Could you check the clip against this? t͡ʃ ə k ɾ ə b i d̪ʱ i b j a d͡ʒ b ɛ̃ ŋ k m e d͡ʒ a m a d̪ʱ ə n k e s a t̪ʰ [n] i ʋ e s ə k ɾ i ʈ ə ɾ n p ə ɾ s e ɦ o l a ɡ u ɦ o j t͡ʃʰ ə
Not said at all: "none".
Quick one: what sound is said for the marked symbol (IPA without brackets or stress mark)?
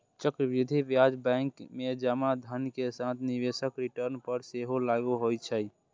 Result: n